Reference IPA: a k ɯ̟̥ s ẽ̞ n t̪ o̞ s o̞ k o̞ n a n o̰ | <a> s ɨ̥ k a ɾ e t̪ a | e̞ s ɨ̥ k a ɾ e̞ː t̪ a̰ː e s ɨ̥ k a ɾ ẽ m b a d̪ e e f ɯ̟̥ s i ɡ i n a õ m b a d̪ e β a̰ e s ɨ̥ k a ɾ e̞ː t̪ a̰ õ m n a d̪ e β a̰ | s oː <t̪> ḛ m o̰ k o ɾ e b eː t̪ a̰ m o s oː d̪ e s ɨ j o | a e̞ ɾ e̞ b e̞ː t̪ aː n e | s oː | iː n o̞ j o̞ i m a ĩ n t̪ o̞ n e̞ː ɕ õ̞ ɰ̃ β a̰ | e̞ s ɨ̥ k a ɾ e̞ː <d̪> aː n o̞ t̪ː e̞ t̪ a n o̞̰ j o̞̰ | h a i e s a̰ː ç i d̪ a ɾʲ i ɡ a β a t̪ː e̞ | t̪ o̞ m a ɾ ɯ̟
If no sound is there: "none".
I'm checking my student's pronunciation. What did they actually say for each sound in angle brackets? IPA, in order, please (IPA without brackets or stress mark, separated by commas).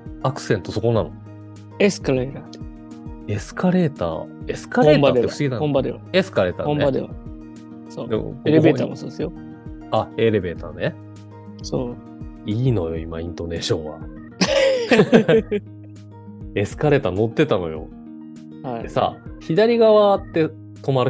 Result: e, d̪, t̪